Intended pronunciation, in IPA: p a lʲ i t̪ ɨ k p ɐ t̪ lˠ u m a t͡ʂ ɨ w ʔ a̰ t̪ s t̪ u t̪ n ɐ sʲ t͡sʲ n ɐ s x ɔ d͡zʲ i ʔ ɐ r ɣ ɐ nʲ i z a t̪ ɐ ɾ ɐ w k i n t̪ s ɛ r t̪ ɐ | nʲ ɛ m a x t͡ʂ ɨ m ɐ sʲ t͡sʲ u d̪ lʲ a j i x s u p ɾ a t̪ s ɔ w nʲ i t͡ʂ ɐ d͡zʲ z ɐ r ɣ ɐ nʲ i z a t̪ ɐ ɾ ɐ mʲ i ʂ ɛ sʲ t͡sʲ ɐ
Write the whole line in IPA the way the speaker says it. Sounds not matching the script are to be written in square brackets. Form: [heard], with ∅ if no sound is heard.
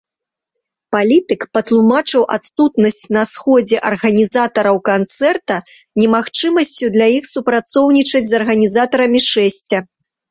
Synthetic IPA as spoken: p a lʲ i t̪ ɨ k p ɐ t̪ lˠ u m a t͡ʂ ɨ w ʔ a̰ t̪ s t̪ u t̪ n ɐ sʲ t͡sʲ n ɐ s x ɔ d͡zʲ [ɛ] ʔ ɐ r ɣ ɐ nʲ i z a t̪ ɐ ɾ ɐ w k [a] n t̪ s ɛ r t̪ ɐ | nʲ ɛ m a x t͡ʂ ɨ m ɐ sʲ t͡sʲ u d̪ lʲ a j i x s u p ɾ a t̪ s ɔ w nʲ i t͡ʂ ɐ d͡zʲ z ɐ r ɣ ɐ nʲ i z a t̪ ɐ ɾ ɐ mʲ i ʂ ɛ sʲ t͡sʲ ɐ

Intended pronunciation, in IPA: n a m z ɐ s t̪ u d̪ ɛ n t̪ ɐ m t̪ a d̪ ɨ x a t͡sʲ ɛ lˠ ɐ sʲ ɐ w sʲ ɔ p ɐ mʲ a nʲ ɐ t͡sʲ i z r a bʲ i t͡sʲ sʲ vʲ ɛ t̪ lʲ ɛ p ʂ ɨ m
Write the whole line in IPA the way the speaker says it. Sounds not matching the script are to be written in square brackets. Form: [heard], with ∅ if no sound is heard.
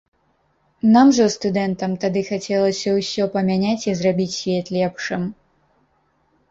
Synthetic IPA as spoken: n a m [ʐ] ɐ s t̪ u d̪ ɛ n t̪ ɐ m t̪ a d̪ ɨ x a t͡sʲ ɛ lˠ ɐ sʲ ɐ w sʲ ɔ p ɐ mʲ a nʲ [a] t͡sʲ i z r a bʲ i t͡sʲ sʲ vʲ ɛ t̪ lʲ ɛ p ʂ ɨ m

